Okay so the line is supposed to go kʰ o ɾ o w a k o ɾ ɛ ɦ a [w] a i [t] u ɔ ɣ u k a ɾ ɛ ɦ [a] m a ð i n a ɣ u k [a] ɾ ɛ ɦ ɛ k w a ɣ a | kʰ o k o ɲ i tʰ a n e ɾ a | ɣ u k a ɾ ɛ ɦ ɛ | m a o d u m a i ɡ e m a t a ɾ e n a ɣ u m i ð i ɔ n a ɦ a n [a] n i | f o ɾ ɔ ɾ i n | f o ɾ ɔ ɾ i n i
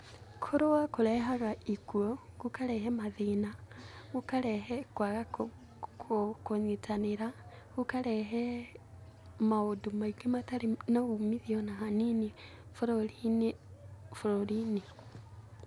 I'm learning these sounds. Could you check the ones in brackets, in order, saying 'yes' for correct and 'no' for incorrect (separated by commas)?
no, no, no, yes, no